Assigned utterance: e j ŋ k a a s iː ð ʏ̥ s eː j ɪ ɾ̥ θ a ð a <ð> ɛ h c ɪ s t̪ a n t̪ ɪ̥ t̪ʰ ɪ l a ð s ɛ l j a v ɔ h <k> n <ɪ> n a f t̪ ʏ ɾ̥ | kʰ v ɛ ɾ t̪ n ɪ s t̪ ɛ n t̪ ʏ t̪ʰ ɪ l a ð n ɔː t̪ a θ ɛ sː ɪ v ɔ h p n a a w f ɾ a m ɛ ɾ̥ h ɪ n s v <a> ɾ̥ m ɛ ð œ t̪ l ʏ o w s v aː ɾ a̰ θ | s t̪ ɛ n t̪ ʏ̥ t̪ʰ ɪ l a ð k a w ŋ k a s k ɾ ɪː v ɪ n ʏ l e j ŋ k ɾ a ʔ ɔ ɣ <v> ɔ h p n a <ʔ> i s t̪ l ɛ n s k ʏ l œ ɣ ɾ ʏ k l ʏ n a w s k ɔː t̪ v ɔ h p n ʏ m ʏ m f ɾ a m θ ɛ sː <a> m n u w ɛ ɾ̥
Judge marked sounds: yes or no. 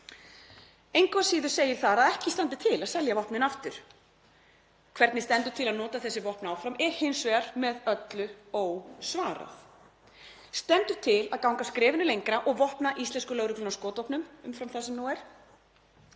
yes, no, yes, no, yes, yes, no

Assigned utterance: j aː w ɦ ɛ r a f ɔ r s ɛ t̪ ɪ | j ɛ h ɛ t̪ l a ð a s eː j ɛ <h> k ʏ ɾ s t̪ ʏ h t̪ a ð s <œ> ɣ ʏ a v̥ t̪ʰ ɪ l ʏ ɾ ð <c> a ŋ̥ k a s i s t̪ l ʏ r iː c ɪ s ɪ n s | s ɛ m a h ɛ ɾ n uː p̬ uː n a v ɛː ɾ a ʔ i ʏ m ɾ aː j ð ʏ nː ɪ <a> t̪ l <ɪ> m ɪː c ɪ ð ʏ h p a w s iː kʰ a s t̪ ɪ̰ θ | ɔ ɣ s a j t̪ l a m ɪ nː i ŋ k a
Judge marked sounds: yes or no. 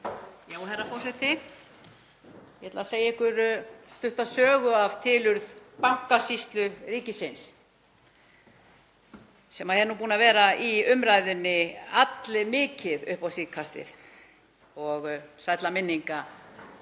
yes, no, no, yes, yes

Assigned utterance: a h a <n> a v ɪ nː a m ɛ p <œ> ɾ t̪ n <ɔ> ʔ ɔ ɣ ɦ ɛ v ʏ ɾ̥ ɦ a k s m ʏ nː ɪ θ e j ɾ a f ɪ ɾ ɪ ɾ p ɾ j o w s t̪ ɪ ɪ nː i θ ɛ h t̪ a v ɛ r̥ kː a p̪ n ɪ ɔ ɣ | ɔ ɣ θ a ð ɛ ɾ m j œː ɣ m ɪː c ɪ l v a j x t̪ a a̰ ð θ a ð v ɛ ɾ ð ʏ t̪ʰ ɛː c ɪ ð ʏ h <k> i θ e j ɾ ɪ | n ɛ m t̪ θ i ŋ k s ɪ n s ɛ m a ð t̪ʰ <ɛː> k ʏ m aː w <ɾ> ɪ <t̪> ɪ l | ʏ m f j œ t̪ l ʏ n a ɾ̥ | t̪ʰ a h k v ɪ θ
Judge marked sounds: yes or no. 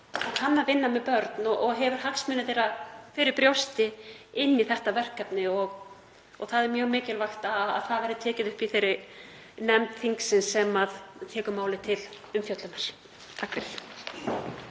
no, yes, yes, no, yes, no, no

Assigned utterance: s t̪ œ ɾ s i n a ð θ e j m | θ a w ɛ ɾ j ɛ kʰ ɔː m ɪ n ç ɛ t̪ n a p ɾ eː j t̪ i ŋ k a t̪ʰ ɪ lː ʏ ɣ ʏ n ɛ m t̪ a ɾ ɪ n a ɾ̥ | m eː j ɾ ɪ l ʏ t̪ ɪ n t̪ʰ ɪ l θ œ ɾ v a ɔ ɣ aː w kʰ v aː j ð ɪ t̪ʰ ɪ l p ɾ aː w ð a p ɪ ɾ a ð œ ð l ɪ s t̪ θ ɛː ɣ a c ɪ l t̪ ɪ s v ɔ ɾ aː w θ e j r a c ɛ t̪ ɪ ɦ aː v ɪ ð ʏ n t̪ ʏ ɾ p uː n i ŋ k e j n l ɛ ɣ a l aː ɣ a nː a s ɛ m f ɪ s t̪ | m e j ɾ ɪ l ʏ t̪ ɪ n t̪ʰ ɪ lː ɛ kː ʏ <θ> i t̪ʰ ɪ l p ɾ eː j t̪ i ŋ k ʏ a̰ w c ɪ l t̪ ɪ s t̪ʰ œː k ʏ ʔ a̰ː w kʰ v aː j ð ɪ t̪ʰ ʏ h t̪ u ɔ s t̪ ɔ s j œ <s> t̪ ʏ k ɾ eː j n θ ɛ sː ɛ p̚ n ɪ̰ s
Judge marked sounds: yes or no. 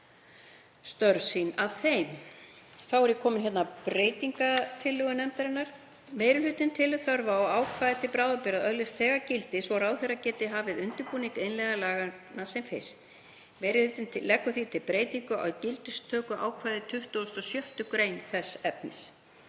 yes, no

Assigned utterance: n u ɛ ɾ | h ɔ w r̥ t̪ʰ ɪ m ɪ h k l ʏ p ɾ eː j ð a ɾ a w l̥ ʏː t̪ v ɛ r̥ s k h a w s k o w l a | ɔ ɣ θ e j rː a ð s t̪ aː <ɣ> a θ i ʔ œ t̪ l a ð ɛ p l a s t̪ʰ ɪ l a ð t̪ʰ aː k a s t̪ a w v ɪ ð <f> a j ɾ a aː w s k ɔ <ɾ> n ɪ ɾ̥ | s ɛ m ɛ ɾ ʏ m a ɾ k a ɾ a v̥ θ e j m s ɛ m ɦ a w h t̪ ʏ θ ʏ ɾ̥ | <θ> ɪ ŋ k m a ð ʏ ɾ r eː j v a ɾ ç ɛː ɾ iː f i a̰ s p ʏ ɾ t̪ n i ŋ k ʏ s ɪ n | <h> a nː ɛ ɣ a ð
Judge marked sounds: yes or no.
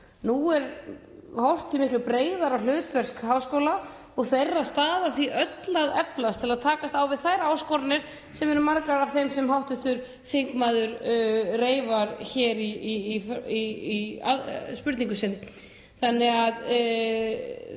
no, no, yes, yes, no

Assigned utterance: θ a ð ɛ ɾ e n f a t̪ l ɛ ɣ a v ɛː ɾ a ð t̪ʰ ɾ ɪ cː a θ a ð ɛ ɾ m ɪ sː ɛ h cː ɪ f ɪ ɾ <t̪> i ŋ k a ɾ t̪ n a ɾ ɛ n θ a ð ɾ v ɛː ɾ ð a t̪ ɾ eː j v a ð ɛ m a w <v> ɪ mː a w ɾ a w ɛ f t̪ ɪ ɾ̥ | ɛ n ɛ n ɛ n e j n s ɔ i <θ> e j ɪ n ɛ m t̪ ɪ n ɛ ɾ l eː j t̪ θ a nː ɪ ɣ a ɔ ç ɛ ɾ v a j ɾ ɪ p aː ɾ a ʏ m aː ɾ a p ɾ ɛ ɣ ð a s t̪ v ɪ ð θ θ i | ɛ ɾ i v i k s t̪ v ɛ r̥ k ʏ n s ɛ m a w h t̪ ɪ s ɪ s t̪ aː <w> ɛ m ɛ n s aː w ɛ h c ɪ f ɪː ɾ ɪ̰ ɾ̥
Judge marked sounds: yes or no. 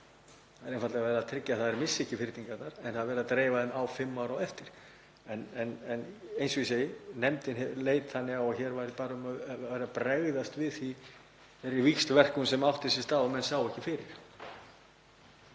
yes, no, no, yes

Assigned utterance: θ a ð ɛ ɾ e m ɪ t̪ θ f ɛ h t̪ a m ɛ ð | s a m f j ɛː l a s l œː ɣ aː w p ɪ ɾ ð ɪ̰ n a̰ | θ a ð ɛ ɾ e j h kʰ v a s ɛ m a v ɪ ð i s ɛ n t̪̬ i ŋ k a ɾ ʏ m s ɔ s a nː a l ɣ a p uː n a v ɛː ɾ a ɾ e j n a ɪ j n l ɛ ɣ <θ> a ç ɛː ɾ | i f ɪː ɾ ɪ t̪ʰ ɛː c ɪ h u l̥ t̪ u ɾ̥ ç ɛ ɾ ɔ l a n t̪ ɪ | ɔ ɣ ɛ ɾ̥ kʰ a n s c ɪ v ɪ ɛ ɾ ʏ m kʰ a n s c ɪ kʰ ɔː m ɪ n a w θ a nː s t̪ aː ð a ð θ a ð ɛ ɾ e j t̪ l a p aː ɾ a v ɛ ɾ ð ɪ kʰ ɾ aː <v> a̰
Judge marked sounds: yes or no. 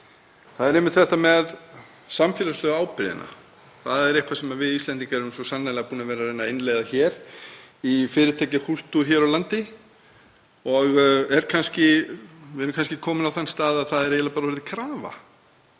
no, yes

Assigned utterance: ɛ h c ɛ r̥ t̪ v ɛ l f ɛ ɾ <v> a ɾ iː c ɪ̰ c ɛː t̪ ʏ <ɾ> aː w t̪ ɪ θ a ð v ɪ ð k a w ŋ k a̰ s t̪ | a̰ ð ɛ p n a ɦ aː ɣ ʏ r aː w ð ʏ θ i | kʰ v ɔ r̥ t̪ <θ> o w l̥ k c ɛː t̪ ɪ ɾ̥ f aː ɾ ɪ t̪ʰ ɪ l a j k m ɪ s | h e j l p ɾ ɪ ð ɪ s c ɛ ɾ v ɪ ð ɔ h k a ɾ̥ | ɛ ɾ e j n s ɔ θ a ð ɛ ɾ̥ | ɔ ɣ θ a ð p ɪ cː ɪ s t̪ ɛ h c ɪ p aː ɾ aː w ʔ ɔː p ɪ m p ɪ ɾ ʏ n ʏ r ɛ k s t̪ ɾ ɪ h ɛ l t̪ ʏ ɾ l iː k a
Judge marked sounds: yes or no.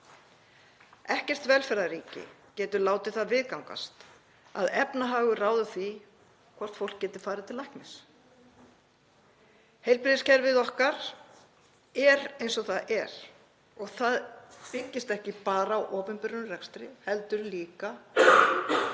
no, no, no

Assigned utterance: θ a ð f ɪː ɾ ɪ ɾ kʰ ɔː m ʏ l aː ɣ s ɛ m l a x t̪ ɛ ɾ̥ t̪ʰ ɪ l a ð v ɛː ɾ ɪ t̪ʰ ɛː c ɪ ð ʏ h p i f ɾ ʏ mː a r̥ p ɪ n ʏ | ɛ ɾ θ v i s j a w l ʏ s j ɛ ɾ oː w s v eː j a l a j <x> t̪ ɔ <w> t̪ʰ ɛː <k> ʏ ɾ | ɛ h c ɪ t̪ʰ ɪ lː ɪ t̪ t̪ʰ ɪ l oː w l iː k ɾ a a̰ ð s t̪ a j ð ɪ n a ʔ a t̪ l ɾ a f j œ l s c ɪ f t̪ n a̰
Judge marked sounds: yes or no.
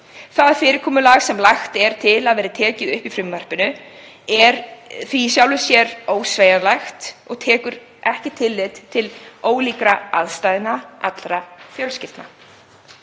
yes, no, yes

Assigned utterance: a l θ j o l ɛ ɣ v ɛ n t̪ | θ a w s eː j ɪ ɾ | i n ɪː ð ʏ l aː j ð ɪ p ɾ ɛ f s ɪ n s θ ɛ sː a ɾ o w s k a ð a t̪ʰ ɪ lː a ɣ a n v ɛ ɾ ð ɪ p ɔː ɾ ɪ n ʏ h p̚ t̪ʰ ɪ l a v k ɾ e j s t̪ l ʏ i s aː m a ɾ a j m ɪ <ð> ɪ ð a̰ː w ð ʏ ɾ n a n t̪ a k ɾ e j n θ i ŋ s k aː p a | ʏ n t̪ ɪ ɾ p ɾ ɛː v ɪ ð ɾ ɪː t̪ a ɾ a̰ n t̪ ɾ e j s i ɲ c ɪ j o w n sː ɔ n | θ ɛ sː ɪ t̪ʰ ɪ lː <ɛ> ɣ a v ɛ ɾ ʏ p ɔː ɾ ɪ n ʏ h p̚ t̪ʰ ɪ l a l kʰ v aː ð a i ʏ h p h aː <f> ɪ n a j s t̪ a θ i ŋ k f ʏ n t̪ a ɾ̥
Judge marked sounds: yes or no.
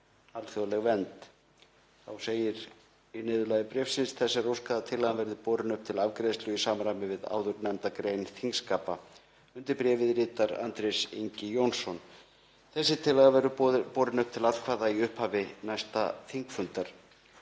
no, no, no

